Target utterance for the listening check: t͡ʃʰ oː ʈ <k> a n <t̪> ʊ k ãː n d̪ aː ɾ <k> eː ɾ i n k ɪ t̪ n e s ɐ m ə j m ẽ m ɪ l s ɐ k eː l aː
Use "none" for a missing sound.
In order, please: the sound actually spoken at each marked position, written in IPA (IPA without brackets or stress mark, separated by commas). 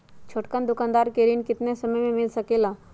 k, d̪, k